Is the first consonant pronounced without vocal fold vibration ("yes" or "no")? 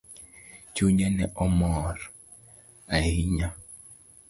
yes